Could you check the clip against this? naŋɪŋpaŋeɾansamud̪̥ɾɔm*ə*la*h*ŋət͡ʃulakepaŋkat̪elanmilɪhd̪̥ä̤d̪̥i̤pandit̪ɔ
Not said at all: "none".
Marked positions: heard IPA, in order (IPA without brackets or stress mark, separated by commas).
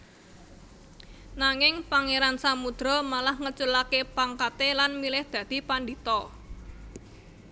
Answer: a, h